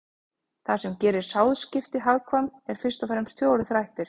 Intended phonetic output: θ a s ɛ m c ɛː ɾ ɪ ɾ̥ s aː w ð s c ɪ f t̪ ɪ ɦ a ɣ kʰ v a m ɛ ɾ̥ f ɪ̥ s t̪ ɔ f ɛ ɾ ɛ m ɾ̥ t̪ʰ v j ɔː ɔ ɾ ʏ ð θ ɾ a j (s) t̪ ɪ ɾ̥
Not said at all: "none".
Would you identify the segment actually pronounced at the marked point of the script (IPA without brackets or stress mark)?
h